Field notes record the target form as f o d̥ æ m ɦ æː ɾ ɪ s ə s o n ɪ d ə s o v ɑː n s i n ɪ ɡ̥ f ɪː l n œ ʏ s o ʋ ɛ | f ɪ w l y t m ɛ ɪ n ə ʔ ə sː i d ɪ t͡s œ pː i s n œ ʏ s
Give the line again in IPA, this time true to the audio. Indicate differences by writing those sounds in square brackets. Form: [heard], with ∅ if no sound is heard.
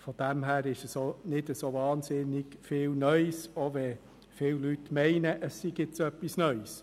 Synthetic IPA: f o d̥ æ m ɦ æː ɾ ɪ [ʃ] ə s o n ɪ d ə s o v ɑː n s [ɪ] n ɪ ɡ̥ f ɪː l n œ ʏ s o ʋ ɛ | f ɪ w l y t m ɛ ɪ n ə ʔ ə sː i [ɡ] ɪ t͡s œ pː i s n œ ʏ s